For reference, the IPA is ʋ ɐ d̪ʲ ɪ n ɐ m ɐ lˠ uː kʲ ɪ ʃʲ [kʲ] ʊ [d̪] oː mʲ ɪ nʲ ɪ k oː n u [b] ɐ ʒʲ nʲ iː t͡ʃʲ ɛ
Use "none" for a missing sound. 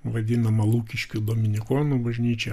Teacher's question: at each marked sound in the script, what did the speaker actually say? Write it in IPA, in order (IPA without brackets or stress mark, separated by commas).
kʲ, d̪, b